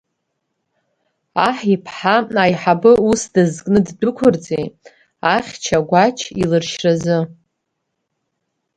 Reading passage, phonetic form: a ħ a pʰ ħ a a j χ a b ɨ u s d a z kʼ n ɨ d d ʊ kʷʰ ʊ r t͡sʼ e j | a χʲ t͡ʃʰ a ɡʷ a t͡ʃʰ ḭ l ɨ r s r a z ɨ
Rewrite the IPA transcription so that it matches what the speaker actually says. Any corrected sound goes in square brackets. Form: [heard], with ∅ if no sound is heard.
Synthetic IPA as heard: a ħ [i] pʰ ħ a a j [ħ] a b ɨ u s d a z kʼ n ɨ d d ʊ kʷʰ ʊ r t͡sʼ e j | a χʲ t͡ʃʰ a ɡʷ a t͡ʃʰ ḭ l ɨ r [ʃ] r a z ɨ